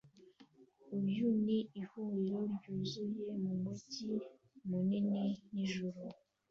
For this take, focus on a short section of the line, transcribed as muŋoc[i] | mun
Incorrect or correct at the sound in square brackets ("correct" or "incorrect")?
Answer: correct